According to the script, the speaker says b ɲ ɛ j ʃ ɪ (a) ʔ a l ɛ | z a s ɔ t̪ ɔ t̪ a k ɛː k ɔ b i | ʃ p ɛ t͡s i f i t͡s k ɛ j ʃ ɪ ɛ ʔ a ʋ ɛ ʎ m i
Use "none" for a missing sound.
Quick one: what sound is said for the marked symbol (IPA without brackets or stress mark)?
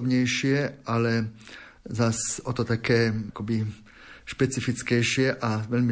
ɛ